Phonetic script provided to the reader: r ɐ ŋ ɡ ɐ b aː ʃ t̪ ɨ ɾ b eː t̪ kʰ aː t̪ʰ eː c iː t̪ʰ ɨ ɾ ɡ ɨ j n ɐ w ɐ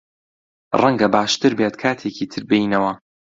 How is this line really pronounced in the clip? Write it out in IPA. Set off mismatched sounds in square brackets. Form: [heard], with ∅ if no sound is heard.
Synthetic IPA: r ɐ ŋ ɡ ɐ b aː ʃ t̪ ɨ ɾ b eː t̪ kʰ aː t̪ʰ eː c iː t̪ʰ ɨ ɾ [b] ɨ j n ɐ w ɐ